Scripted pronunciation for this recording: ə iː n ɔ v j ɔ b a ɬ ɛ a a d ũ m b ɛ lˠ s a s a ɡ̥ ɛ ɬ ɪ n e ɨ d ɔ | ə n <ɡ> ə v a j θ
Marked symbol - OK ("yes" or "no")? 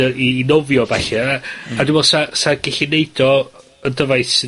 no